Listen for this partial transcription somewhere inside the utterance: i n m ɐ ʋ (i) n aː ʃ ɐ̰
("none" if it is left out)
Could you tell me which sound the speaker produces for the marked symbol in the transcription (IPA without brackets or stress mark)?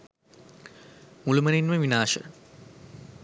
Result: i